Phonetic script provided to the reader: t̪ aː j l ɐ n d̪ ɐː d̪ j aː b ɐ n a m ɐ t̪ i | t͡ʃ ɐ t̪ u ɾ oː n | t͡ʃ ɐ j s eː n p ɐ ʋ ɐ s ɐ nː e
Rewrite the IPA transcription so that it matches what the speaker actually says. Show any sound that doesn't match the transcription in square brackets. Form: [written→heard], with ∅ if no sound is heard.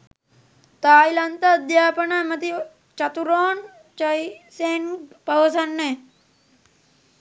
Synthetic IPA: t̪ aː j l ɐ n [d̪→t̪] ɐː d̪ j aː [b→p] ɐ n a m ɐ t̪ i | t͡ʃ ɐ t̪ u ɾ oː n | t͡ʃ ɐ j s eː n p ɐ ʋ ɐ s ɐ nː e